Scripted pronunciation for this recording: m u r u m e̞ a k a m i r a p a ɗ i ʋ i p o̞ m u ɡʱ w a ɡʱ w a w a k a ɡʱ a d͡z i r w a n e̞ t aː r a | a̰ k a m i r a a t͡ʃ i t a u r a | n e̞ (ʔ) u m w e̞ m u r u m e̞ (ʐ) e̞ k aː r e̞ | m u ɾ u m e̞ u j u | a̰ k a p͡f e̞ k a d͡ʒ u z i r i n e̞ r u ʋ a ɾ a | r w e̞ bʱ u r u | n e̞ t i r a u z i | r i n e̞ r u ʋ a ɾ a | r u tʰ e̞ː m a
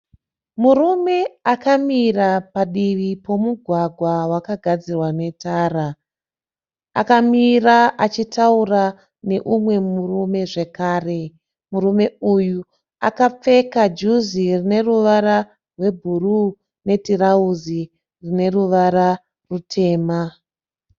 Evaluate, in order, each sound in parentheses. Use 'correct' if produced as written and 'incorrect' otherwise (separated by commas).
correct, correct